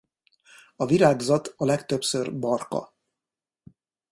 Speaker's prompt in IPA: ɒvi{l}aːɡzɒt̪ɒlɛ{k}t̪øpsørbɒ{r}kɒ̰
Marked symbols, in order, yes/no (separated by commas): no, yes, yes